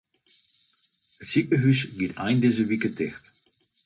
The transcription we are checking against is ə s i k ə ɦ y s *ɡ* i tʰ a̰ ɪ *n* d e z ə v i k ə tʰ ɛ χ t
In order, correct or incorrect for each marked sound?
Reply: correct, correct

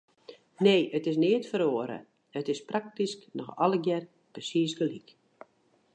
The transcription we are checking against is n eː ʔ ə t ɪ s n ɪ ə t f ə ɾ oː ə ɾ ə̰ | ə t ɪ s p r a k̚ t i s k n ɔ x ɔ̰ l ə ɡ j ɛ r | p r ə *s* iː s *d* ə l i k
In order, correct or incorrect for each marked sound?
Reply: correct, incorrect: ɡ

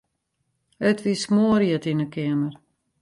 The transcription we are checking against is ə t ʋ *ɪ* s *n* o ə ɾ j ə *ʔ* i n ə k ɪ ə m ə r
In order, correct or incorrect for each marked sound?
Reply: incorrect: i, incorrect: m, incorrect: t

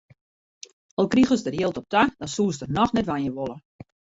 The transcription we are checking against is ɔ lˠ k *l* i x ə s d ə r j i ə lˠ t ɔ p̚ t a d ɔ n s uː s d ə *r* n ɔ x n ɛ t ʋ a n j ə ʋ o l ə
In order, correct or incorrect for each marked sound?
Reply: incorrect: r, correct

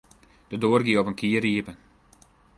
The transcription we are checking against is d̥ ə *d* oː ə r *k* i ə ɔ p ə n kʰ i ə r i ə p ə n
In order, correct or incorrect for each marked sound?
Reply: correct, incorrect: ɡ

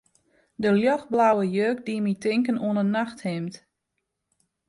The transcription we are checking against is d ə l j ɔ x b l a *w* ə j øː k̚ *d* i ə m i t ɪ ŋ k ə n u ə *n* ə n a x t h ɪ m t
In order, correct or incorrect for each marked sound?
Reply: correct, correct, correct

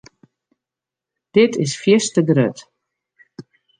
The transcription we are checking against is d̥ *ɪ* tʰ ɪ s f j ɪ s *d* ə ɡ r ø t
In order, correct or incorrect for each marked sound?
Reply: correct, incorrect: t

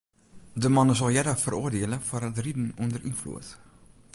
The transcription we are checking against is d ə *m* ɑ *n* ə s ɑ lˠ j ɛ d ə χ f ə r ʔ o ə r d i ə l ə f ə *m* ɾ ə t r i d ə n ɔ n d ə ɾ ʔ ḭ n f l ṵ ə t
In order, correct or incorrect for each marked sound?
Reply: correct, correct, incorrect: none

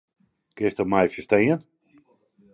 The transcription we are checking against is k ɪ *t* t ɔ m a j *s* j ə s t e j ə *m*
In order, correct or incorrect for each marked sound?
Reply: incorrect: s, incorrect: f, incorrect: n

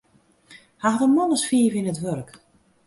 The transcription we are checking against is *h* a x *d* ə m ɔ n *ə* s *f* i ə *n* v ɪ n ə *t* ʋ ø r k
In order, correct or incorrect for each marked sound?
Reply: correct, correct, correct, correct, incorrect: none, correct

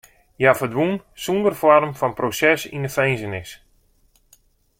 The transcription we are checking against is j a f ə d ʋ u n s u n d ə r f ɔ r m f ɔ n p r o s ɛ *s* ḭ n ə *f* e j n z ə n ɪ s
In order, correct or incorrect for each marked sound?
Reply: correct, correct

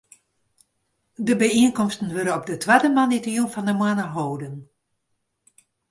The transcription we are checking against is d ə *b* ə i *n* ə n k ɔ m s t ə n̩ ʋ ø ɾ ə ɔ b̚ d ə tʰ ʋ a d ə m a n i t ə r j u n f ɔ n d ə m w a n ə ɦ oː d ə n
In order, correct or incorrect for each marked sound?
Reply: correct, incorrect: none

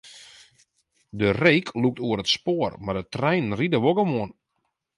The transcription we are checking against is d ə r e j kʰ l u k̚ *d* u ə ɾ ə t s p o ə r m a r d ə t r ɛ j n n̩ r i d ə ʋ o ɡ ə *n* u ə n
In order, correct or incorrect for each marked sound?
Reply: incorrect: t, incorrect: m

